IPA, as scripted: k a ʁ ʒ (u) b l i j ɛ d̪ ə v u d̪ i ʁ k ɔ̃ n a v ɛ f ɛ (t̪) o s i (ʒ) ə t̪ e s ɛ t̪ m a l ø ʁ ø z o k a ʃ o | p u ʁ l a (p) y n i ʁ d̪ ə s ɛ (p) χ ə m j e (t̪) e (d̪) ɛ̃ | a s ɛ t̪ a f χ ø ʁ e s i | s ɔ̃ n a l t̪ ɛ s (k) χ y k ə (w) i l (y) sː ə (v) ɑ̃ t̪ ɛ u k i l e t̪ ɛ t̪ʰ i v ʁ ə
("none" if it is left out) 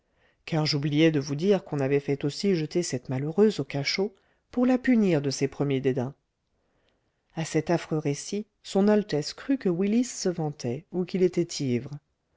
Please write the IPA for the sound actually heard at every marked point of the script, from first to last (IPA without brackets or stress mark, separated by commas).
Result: u, t̪, ʒ, p, p, d̪, d̪, k, w, i, v